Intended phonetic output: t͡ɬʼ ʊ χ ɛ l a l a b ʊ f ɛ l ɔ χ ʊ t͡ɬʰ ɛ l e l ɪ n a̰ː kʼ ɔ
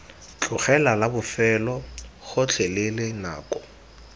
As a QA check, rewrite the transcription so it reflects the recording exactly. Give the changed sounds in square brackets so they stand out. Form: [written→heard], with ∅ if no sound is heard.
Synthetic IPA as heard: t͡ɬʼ ʊ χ ɛ l a l a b ʊ f ɛ l ɔ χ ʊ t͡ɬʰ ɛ l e l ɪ n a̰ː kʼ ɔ